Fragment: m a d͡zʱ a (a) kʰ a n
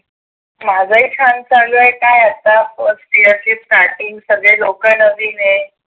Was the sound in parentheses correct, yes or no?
no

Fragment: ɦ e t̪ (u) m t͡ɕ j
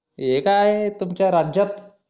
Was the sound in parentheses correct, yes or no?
yes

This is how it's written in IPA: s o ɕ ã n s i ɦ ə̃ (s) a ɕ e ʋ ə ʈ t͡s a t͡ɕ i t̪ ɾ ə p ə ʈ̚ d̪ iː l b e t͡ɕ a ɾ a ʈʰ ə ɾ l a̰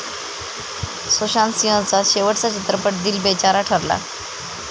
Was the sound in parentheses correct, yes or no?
no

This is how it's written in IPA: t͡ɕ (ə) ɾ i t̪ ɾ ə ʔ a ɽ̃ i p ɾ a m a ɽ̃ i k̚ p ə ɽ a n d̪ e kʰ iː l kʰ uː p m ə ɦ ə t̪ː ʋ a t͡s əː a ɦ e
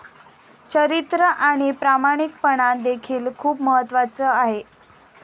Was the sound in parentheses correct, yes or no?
yes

